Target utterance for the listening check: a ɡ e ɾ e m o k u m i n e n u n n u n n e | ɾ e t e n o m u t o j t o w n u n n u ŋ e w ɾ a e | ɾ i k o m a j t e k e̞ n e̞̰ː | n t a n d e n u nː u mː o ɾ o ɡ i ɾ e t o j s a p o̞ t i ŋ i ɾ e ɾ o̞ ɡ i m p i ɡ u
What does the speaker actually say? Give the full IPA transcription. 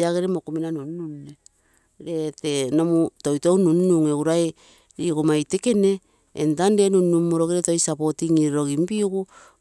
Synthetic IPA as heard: a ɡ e ɾ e m o k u m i n a n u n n u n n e | ɾ e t e n o m u t o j t o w n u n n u ŋ e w ɾ a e | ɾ i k o m a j t e k e̞ n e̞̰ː | n t a n d e n u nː u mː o ɾ o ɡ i ɾ e t o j s a p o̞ t i ŋ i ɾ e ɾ o̞ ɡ i m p i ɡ u